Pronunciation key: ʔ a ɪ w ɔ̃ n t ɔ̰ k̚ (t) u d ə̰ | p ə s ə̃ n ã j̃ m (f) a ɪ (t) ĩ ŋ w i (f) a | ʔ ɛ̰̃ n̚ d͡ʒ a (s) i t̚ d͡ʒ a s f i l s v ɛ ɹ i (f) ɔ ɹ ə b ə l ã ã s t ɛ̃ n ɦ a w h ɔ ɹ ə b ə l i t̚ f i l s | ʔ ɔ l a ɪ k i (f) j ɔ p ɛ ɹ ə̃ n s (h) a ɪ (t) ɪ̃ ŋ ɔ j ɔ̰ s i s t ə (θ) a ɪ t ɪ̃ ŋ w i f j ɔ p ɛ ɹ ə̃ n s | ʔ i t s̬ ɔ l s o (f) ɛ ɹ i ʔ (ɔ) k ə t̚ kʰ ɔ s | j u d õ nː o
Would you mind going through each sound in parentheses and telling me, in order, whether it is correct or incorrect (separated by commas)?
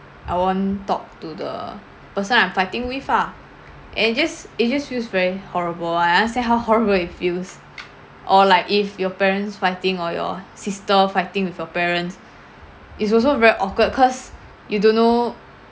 correct, correct, correct, correct, correct, incorrect, correct, incorrect, correct, incorrect, incorrect, correct